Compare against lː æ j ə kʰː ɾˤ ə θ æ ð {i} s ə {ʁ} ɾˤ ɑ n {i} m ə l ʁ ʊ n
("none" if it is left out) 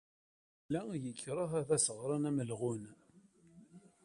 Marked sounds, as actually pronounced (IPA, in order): æ, ʁ, æ

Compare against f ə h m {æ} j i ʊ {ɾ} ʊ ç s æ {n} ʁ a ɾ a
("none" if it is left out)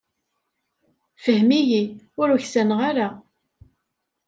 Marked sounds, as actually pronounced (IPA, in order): i, ɾ, n

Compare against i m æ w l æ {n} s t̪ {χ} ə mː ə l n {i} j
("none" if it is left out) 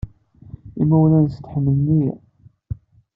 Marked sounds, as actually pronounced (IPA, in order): n, ħ, i

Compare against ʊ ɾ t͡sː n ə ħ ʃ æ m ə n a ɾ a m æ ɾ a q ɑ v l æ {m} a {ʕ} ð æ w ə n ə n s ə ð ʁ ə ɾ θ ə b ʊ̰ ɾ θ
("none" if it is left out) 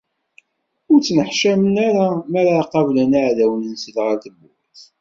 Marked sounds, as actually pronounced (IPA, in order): n, ʕ

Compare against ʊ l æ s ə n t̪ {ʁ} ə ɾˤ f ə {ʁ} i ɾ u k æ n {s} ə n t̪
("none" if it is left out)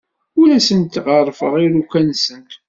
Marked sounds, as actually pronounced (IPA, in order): ʁ, ʁ, s

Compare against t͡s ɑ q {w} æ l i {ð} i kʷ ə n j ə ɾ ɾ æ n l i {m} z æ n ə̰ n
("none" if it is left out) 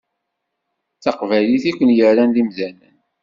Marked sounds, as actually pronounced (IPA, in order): v, θ, m

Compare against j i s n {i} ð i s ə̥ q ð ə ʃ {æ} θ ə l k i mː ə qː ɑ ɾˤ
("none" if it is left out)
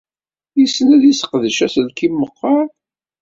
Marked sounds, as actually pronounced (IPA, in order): æ, æ

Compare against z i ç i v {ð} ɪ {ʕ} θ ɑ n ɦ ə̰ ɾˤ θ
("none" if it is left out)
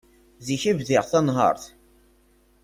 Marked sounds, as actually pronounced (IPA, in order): ð, ʁ

